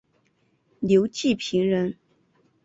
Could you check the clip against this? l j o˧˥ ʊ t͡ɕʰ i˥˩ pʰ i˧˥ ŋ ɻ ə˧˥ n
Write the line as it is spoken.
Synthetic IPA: l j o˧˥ ʊ t͡ɕ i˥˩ pʰ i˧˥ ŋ ɻ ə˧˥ n